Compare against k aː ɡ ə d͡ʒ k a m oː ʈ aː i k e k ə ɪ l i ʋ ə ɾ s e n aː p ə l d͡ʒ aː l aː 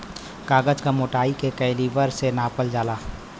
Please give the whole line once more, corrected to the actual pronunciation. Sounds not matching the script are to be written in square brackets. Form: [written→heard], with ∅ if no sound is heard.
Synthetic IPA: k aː ɡ ə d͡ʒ k a m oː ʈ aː i k e k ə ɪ l i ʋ ə ɾ s e n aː p ə l d͡ʒ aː l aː